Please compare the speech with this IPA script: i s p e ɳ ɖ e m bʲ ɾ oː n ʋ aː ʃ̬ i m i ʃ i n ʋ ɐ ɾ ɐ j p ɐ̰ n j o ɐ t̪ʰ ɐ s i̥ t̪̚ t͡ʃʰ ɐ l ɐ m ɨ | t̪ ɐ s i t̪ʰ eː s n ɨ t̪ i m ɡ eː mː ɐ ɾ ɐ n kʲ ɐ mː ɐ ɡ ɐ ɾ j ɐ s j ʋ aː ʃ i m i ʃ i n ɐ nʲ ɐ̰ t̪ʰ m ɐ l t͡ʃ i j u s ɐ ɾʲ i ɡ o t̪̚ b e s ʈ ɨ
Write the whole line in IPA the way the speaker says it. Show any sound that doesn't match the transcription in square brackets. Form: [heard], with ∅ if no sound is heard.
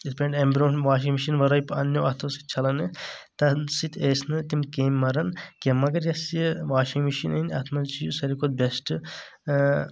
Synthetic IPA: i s p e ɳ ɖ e m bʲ ɾ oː n ʋ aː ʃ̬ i m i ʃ i n ʋ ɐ ɾ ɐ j p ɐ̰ n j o ɐ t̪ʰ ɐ s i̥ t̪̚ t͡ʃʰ ɐ l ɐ [n] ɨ | t̪ ɐ s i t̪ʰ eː s n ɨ t̪ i m [k] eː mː ɐ ɾ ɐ n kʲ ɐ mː ɐ ɡ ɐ ɾ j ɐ s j ʋ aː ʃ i m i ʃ i n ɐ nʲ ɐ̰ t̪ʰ m ɐ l t͡ʃ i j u s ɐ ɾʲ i [k] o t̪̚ b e s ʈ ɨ